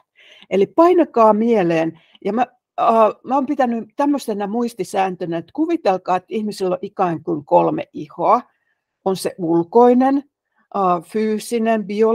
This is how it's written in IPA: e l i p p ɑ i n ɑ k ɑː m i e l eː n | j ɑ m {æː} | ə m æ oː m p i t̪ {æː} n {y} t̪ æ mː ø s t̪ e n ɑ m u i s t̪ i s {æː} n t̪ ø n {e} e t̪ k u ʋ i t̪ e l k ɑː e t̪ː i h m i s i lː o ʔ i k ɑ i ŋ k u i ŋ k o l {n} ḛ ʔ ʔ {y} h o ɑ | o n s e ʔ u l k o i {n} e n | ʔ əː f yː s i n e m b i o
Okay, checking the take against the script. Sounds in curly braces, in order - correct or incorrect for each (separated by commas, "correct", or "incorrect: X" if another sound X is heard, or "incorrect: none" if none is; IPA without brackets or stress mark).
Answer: incorrect: æ, incorrect: æ, correct, correct, incorrect: æ, incorrect: m, incorrect: i, correct